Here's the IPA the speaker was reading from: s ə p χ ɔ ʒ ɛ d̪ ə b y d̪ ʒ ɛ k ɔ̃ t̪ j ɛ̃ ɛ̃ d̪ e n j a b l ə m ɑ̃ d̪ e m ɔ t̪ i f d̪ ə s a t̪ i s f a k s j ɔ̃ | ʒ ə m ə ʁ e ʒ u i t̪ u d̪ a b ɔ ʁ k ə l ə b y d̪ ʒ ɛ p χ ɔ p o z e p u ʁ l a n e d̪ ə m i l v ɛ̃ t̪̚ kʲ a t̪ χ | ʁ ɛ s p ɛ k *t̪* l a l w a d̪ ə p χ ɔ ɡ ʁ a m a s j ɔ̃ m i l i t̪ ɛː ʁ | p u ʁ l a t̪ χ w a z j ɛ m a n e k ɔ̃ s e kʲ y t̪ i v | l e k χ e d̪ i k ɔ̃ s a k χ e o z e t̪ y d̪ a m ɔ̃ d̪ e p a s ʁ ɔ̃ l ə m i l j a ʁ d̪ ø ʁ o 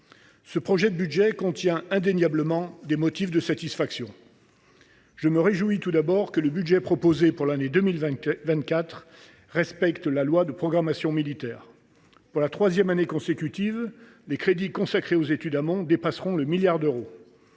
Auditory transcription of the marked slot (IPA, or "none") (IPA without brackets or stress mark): t̪